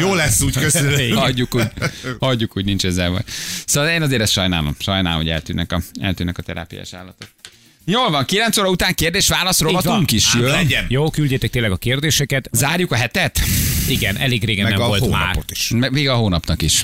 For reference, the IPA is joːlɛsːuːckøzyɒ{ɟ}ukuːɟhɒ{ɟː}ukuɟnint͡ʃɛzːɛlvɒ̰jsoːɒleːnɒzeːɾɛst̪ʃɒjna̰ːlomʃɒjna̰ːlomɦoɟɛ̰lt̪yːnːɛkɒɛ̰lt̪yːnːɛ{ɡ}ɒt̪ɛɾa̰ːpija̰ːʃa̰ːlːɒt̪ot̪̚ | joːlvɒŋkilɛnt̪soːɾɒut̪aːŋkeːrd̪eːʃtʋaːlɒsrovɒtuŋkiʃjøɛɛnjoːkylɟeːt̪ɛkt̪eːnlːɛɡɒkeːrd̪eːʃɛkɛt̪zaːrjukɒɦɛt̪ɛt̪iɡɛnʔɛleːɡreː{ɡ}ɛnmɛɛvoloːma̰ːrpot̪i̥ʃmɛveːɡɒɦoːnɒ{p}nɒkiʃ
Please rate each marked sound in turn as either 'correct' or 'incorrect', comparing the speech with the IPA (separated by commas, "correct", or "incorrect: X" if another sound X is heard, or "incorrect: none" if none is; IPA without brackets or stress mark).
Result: incorrect: ɟː, correct, incorrect: k, correct, correct